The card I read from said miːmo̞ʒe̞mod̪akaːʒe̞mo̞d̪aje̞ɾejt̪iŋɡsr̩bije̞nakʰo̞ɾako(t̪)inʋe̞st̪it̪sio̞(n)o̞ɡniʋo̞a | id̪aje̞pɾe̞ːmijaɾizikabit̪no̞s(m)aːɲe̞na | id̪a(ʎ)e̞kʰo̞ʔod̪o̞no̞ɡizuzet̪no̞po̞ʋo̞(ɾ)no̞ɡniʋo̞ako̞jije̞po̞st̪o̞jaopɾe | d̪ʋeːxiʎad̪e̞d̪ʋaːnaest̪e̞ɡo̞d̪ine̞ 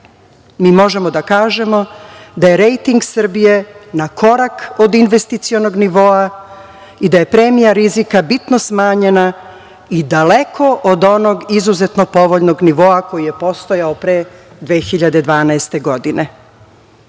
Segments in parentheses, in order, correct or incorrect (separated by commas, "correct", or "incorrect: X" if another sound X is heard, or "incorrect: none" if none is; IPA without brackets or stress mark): incorrect: d̪, correct, correct, incorrect: l, incorrect: ʎ